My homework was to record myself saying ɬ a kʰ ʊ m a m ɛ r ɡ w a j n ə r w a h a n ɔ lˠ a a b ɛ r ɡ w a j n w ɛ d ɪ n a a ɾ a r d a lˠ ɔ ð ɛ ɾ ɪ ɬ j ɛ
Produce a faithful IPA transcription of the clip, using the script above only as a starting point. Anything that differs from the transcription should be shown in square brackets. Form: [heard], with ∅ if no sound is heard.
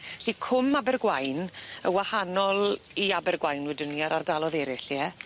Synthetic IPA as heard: ɬ [i] kʰ ʊ m a [b] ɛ r ɡ w a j n ə [∅] w a h a n ɔ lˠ [i] a b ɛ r ɡ w a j n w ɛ d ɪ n [i] a ɾ a r d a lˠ ɔ ð ɛ ɾ ɪ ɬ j ɛ